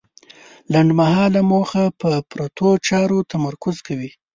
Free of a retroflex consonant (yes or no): no